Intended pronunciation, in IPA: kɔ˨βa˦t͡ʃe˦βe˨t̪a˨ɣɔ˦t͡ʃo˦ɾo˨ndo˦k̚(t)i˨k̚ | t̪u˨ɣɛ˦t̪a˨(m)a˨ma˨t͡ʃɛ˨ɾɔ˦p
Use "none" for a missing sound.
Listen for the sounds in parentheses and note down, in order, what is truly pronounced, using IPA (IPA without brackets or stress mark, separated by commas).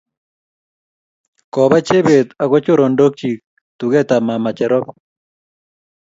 t͡ʃ, m